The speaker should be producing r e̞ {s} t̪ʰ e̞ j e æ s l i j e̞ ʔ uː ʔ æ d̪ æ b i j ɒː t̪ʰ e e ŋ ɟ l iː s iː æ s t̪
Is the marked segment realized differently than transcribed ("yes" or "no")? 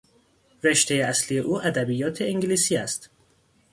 yes